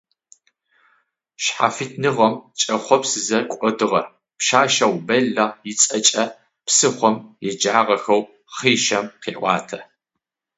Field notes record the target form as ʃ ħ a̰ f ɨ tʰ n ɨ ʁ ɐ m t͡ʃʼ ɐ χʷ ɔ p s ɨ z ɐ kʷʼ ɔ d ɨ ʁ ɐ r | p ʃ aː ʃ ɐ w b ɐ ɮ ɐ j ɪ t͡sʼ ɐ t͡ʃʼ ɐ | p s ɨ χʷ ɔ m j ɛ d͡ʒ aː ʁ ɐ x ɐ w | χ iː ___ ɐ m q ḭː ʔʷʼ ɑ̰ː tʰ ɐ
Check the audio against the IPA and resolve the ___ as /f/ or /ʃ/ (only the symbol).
ʃ